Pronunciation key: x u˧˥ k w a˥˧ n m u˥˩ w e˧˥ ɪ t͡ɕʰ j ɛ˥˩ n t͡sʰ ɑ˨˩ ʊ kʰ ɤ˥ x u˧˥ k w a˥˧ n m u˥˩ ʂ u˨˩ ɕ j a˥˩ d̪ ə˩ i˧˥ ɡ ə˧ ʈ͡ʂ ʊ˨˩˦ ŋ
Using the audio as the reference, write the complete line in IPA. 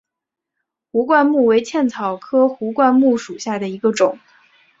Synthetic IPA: x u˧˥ k w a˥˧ n m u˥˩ w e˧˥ ɪ t͡ɕʰ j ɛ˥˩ n t͡sʰ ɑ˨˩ ʊ kʰ ɤ˥ x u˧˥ k w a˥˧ n m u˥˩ ʂ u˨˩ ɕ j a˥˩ d̪ ə˩ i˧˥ ɡ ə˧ ʈ͡ʂ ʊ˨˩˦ ŋ